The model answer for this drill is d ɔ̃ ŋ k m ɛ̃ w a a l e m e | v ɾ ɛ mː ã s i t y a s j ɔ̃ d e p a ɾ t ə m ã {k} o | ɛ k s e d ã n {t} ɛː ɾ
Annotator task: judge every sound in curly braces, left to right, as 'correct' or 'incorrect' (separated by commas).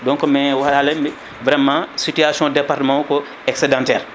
correct, correct